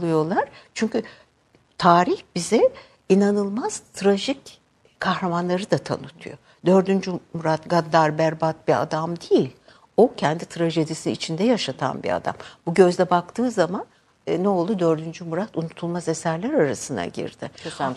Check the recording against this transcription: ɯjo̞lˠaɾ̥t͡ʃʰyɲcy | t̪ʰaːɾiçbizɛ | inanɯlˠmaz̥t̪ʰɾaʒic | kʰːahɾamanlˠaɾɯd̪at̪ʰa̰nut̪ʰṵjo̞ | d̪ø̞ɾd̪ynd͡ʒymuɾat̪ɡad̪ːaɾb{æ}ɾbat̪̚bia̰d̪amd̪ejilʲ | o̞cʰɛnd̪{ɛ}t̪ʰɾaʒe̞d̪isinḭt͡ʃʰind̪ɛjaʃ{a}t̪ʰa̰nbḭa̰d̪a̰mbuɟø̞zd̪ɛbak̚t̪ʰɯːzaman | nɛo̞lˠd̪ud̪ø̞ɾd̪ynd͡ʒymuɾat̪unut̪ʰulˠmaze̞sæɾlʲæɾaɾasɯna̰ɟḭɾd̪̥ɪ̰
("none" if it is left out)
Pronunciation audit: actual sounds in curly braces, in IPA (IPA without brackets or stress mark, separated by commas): æ, i, a